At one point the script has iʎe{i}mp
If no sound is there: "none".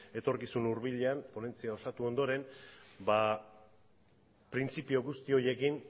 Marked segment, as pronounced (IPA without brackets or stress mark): a